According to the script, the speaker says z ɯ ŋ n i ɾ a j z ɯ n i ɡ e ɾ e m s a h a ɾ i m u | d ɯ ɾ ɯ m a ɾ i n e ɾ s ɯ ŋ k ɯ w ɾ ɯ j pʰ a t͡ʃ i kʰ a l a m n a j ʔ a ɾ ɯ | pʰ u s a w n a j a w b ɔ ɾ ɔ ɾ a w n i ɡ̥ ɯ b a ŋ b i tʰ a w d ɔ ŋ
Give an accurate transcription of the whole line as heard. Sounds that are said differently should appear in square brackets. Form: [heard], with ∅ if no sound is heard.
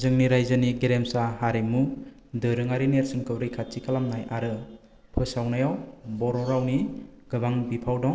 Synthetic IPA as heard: z ɯ ŋ n i ɾ a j z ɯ n i ɡ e ɾ e m s a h a ɾ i m u | d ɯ ɾ ɯ [ŋ] a ɾ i n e ɾ s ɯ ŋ k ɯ w ɾ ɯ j [kʰ] a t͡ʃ i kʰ a l a m n a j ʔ a ɾ ɯ | pʰ [ɯ] s a w n a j a w b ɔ ɾ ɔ ɾ a w n i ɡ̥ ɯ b a ŋ b i [pʰ] a w d ɔ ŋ